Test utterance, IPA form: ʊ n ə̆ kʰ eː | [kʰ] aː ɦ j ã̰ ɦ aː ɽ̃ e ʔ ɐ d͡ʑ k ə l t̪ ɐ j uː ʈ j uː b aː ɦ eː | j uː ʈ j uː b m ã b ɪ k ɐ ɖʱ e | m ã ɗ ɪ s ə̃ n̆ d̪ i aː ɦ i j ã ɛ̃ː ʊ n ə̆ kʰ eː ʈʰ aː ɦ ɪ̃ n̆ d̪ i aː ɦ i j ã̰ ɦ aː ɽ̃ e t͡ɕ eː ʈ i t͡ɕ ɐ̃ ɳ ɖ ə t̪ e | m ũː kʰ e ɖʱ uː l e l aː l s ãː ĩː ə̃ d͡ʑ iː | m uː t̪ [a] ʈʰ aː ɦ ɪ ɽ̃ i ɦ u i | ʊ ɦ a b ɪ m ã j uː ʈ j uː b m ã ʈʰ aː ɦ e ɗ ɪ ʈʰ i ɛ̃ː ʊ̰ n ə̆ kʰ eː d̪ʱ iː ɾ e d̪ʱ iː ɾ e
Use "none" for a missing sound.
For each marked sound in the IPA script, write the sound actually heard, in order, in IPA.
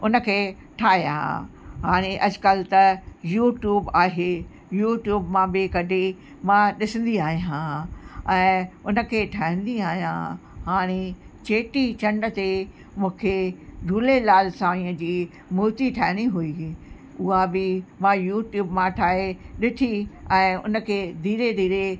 ʈʰ, i

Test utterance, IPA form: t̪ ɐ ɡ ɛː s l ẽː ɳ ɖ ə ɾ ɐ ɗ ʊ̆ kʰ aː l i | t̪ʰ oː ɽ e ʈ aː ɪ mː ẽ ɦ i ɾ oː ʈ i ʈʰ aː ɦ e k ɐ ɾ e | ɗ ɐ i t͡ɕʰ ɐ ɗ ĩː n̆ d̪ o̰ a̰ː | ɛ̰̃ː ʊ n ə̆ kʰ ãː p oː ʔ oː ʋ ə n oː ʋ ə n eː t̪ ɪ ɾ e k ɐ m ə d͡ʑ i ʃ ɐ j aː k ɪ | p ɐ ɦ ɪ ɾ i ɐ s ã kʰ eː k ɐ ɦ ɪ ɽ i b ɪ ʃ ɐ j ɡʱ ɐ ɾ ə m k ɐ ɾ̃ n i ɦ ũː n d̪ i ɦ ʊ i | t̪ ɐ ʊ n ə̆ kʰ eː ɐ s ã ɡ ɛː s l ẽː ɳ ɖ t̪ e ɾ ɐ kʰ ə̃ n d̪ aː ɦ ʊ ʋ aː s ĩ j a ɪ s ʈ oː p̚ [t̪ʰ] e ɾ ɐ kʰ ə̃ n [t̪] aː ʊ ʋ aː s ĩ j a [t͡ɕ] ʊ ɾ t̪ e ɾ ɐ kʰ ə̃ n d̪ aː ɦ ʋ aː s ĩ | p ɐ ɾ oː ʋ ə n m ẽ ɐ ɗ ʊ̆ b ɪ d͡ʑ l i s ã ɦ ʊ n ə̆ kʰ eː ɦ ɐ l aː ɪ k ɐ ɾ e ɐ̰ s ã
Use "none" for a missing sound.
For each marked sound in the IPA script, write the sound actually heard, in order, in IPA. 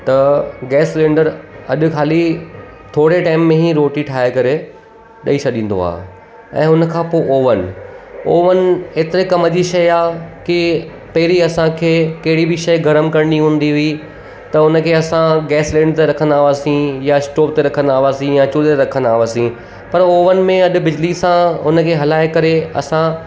t̪, d̪, t͡ɕ

